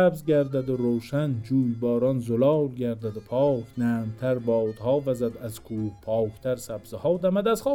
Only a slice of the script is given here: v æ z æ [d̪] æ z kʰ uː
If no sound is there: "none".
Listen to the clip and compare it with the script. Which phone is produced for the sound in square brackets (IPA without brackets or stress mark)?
d̪